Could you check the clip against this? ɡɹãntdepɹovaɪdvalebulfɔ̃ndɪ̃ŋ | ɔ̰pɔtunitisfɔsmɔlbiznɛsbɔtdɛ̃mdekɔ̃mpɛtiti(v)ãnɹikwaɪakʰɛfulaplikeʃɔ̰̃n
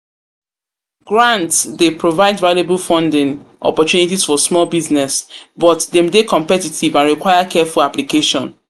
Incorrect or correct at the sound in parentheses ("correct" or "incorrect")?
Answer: correct